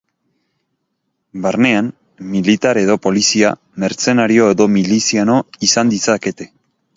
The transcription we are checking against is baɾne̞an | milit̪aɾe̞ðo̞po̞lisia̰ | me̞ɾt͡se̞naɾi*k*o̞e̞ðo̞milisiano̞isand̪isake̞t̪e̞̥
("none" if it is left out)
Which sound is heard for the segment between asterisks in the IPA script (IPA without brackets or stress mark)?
none